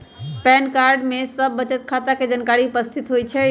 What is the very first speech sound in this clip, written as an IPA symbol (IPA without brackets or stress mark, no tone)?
p